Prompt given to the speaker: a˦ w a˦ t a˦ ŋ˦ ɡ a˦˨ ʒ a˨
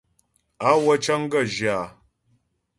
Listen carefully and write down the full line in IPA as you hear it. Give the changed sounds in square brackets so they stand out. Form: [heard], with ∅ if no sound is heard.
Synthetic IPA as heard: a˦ w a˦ [t͡ʃ] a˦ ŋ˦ ɡ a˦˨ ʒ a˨